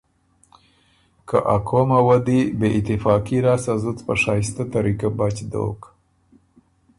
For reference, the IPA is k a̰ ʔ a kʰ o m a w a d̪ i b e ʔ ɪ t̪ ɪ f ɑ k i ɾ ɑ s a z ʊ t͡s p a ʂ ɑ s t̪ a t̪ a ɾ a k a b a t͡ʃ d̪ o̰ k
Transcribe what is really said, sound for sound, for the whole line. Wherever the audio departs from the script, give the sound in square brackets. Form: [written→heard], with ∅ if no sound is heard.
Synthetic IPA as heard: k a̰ ʔ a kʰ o m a w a d̪ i b e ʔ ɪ t̪ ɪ f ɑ k i ɾ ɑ s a z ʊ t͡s p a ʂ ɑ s t̪ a t̪ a ɾ [a→i] k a b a t͡ʃ d̪ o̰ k